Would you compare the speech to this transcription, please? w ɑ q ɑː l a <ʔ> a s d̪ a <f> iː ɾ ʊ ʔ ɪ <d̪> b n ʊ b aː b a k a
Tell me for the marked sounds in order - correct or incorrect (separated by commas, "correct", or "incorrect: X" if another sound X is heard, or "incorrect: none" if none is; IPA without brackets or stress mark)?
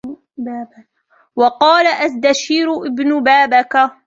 correct, incorrect: ʃ, incorrect: none